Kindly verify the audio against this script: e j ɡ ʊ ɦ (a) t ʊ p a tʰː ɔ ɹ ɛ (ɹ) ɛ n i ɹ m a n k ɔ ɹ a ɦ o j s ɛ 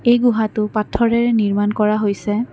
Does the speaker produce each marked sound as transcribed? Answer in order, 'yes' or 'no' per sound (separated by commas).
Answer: yes, yes